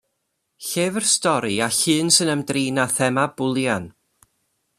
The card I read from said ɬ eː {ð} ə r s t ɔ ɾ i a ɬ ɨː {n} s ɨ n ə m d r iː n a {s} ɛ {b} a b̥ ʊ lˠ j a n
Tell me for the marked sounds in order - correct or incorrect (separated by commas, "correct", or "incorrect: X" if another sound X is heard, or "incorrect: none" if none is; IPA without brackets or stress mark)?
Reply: incorrect: v, correct, incorrect: θ, incorrect: m